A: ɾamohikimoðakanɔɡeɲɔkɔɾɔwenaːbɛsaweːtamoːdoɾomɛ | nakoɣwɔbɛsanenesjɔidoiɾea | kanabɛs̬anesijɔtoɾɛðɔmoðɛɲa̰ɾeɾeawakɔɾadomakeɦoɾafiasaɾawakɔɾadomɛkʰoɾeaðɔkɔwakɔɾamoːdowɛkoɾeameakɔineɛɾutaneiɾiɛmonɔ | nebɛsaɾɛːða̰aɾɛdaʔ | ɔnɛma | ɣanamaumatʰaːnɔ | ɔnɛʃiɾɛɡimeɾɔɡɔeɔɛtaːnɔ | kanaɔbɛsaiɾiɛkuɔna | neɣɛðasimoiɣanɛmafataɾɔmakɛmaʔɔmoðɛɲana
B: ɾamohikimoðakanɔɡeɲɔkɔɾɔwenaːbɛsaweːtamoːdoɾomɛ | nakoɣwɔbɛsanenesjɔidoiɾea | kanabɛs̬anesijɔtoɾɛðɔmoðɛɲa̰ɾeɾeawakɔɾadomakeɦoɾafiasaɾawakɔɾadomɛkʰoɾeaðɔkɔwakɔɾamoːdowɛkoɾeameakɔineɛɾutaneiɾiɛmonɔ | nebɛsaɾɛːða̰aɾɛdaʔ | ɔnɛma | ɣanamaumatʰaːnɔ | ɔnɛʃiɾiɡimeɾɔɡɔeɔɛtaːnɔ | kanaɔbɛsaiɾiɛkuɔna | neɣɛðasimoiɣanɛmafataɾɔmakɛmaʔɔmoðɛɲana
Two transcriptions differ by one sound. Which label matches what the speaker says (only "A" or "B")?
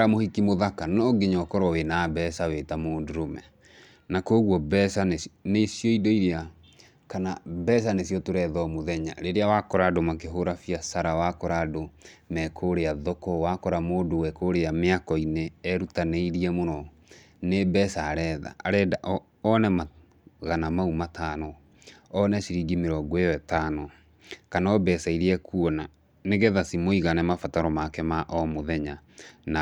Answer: B